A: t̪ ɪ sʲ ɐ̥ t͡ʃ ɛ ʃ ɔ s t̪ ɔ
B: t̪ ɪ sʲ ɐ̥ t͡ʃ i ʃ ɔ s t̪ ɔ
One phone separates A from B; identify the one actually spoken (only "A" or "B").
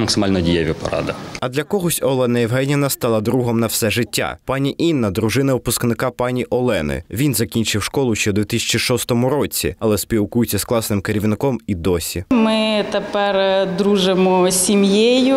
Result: B